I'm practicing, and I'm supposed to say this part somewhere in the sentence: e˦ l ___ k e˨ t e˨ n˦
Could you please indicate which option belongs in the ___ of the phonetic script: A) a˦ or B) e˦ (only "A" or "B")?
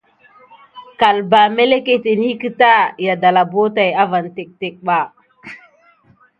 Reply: B